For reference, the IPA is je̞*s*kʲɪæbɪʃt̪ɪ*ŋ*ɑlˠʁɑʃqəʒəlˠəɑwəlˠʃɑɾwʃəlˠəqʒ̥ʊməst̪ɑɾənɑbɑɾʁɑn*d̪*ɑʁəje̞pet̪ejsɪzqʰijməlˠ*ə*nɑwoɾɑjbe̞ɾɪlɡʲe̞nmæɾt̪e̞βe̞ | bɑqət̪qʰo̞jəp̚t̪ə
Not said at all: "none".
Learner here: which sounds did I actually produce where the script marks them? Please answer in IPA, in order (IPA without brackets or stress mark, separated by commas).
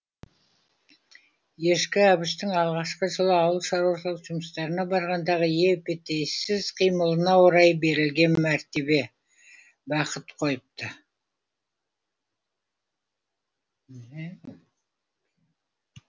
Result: ʃ, ŋ, d̪, ə